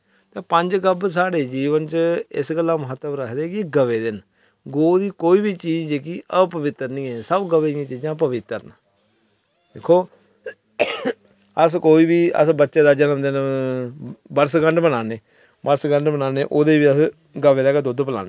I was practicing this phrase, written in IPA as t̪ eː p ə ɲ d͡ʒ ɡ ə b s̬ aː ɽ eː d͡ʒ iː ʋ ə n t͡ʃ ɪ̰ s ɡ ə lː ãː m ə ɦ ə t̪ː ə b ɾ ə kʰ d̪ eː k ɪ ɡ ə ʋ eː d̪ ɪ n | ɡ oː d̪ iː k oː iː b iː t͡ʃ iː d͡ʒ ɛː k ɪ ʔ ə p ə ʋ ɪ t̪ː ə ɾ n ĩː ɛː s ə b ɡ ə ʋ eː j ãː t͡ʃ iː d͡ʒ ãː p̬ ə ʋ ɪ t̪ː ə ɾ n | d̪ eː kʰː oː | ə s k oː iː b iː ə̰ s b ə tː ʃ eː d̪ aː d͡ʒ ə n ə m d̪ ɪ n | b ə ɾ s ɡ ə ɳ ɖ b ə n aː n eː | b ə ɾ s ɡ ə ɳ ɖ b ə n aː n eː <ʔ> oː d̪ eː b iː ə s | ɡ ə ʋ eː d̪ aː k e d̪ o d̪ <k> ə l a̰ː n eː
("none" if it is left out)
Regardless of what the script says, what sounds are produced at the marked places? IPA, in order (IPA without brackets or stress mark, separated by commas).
ʔ, p